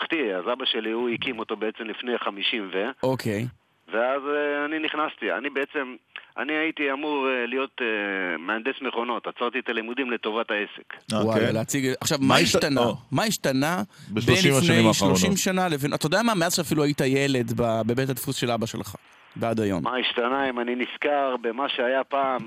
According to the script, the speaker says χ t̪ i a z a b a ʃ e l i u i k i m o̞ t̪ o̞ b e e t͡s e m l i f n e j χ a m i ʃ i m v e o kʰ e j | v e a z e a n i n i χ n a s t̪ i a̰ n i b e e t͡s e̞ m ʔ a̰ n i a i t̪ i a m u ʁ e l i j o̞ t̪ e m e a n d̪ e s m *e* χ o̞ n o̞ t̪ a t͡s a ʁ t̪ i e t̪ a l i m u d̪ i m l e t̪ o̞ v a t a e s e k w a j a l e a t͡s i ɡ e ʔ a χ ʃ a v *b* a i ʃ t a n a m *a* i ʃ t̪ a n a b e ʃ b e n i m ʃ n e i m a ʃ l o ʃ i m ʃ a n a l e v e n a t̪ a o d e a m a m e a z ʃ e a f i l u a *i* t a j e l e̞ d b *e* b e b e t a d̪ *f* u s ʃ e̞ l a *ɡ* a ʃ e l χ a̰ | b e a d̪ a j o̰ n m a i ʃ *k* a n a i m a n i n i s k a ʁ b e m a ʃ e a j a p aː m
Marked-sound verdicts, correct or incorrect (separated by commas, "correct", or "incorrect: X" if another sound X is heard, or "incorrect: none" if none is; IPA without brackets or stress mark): correct, incorrect: m, correct, correct, incorrect: a, correct, incorrect: b, incorrect: t